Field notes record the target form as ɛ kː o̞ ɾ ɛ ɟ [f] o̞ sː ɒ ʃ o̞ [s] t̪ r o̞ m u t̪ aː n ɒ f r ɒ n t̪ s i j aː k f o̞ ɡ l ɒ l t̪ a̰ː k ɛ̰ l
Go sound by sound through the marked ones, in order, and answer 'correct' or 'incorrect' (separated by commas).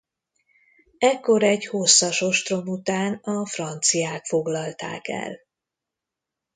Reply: incorrect, incorrect